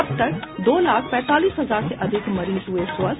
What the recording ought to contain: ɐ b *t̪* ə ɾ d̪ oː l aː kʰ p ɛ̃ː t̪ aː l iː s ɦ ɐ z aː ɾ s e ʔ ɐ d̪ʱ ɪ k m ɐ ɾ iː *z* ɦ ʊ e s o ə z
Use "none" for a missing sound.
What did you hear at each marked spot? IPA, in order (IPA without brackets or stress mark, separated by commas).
t̪, z